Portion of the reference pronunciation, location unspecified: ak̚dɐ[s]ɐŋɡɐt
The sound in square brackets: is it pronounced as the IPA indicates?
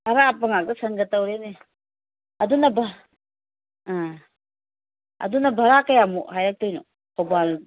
yes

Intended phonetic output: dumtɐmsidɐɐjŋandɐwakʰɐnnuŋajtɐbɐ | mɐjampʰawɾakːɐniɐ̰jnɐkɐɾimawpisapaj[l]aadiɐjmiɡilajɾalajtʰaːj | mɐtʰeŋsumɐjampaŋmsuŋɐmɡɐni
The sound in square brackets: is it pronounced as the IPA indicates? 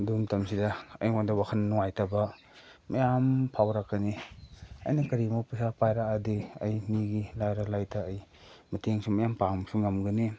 no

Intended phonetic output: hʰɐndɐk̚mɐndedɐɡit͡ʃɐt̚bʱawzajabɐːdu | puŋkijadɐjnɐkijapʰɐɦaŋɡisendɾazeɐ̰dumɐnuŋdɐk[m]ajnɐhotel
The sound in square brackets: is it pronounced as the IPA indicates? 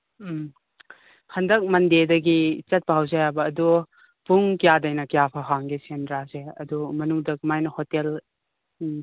yes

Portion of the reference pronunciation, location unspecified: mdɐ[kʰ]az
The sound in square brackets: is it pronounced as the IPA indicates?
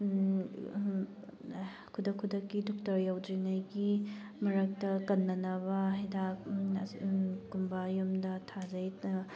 no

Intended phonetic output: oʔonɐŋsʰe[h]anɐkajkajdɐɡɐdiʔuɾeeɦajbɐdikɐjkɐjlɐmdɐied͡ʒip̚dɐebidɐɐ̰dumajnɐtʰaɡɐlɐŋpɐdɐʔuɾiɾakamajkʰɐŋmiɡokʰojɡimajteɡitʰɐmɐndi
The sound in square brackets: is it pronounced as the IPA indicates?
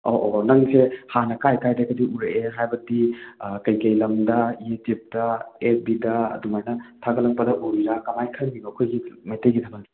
yes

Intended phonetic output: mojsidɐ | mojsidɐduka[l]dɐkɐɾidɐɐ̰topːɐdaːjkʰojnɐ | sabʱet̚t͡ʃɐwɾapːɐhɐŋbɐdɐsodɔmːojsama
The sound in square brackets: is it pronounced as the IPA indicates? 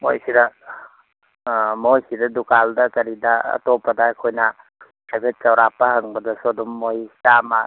yes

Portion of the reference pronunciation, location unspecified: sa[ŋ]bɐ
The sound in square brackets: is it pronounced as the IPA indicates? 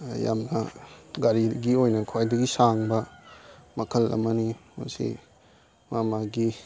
yes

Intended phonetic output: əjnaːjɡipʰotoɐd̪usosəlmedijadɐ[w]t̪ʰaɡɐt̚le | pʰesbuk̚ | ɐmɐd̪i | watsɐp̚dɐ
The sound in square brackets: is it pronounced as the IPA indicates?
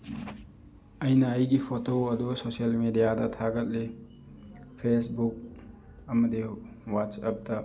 no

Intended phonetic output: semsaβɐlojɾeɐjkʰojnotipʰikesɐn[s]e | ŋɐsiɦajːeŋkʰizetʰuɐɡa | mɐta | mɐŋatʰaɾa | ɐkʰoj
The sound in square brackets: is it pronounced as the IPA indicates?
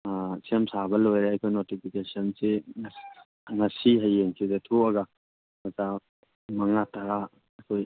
yes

